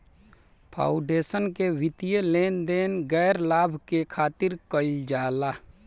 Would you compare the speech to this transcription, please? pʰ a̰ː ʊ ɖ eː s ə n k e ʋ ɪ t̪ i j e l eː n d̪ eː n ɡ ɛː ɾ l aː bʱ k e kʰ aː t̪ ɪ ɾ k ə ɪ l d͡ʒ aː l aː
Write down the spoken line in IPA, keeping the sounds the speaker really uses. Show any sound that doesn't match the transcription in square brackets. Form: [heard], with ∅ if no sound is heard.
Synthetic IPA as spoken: pʰ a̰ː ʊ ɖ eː s ə n k e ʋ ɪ t̪ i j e l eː n d̪ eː n ɡ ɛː ɾ l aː bʱ k e kʰ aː t̪ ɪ ɾ k ə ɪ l d͡ʒ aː l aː